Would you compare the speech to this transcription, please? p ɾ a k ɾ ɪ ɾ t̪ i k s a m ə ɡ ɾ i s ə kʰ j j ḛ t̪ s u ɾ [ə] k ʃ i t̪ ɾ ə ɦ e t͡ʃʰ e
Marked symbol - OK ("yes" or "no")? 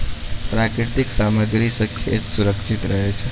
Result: yes